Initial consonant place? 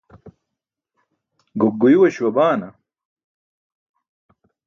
velar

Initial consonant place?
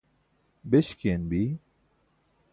labial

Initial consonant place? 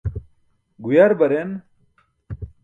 velar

